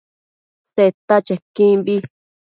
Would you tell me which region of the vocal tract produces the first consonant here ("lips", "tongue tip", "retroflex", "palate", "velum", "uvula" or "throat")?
tongue tip